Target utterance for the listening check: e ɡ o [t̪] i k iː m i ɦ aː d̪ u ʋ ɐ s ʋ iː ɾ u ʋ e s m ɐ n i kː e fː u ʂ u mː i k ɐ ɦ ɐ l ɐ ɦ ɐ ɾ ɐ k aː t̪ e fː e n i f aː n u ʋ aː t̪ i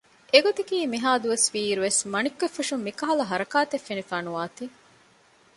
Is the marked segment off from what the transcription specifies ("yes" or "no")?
no